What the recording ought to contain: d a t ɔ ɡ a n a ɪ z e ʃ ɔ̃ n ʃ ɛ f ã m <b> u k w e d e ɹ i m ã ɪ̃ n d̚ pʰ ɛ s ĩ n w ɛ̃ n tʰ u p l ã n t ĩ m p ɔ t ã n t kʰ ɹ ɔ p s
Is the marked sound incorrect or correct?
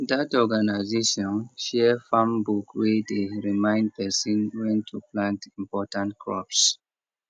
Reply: correct